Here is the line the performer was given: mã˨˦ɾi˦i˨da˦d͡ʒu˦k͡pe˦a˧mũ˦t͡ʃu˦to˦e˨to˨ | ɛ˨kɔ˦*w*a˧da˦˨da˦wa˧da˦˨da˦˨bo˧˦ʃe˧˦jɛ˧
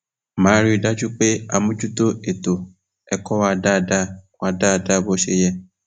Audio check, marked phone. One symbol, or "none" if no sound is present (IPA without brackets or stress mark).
w